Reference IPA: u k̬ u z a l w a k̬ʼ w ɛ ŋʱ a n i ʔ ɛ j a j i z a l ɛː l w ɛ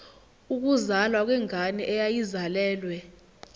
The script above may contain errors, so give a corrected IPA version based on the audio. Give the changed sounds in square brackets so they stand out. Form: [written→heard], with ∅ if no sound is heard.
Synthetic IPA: u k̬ u z a l w a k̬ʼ w ɛ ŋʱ a n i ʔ ɛ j a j i z a l ɛː l w ɛ